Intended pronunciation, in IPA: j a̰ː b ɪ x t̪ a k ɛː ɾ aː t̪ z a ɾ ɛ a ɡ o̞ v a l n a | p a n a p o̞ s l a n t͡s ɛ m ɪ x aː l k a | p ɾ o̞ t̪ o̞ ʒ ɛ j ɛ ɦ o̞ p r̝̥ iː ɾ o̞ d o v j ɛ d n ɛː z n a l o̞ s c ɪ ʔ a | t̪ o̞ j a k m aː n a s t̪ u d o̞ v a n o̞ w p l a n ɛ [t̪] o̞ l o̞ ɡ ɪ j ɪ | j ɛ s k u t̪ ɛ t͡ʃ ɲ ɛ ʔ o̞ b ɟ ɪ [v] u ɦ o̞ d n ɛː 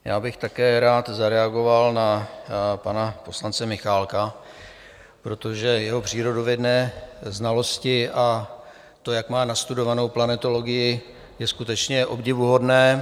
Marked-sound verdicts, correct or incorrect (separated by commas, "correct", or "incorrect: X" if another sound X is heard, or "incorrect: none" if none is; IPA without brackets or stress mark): correct, correct